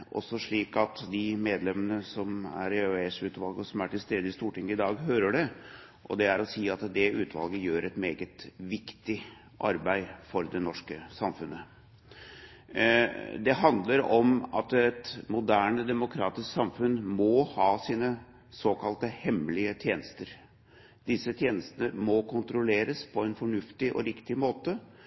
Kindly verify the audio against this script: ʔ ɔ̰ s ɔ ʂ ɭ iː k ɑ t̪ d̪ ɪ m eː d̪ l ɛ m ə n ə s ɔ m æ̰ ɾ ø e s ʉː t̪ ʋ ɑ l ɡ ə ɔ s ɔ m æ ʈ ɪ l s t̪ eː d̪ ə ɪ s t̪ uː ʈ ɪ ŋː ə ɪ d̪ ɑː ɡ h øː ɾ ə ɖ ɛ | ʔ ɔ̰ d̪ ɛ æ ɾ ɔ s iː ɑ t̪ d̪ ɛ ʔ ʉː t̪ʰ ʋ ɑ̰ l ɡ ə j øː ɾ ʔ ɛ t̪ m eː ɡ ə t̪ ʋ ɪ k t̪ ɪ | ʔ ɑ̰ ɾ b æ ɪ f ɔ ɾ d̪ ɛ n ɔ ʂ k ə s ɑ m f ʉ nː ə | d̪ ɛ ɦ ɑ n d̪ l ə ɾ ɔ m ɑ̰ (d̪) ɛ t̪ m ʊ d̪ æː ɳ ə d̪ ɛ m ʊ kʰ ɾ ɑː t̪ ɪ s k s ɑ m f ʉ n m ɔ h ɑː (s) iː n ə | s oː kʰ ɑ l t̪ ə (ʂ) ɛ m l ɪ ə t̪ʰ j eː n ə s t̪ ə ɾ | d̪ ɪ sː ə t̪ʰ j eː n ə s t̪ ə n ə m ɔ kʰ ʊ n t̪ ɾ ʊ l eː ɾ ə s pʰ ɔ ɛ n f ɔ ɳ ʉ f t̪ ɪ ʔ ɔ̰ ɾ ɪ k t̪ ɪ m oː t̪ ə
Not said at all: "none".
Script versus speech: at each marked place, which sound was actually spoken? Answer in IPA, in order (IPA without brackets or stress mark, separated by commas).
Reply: t̪, s, h